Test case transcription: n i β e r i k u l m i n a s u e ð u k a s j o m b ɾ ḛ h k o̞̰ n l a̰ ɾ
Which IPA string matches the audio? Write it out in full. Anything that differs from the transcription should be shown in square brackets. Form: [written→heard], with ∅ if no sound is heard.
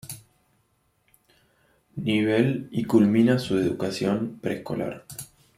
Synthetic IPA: n i β e [r→l] i k u l m i n a s u e ð u k a s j o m [b→p] ɾ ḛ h k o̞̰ [n→∅] l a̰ ɾ